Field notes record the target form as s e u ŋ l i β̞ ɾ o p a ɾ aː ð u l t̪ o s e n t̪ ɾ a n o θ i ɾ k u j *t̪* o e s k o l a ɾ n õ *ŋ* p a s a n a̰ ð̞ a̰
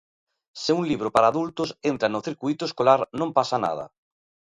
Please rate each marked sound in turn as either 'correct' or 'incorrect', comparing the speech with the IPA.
correct, incorrect: m

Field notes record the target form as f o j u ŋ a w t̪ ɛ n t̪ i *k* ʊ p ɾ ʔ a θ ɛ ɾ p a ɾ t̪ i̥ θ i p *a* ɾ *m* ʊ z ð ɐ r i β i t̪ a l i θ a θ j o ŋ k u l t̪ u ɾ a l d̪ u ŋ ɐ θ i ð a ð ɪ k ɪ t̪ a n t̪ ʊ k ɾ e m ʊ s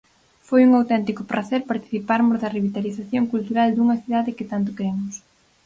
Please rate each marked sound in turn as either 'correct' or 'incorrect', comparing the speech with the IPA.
correct, correct, correct

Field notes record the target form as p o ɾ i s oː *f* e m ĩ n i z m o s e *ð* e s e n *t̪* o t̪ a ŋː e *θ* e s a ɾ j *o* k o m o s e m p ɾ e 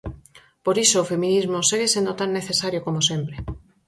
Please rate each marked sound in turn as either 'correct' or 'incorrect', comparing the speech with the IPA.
correct, incorrect: ɣ, incorrect: d̪, correct, correct

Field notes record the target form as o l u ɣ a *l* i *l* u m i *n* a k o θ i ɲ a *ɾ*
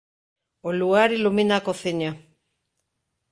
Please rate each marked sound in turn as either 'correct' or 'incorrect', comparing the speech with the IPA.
incorrect: ɾ, correct, correct, incorrect: none

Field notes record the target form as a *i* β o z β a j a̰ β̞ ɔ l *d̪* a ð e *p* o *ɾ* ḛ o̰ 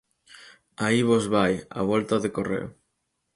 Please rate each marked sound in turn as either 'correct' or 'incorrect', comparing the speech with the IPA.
correct, incorrect: t̪, incorrect: k, incorrect: r

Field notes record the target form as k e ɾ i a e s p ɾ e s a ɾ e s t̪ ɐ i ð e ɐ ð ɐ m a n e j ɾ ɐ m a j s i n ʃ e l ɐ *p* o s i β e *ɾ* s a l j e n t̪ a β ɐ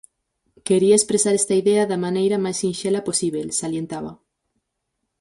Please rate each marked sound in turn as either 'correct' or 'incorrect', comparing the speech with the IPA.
correct, incorrect: l

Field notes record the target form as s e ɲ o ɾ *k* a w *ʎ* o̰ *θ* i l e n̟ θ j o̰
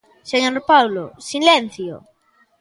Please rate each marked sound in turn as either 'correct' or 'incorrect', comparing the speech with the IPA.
incorrect: p, incorrect: l, incorrect: s

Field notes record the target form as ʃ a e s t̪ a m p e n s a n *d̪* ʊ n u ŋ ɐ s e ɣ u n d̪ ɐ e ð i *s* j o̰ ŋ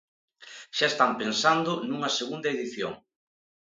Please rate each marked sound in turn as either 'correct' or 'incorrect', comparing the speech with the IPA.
correct, incorrect: θ

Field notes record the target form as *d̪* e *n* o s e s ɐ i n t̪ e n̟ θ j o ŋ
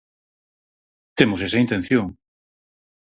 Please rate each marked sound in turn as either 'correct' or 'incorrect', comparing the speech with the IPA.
incorrect: t̪, incorrect: m

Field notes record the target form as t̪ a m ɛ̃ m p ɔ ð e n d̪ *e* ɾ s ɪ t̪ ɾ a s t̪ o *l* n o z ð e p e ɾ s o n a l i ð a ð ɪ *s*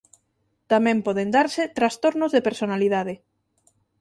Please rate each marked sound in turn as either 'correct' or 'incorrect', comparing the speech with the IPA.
incorrect: a, incorrect: ɾ, incorrect: none

